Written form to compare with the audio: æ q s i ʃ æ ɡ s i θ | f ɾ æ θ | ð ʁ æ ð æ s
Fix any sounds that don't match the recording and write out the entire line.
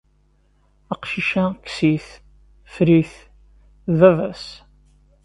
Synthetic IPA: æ q ʃ i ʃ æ k s i θ | f ɾ i θ | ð v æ v æ s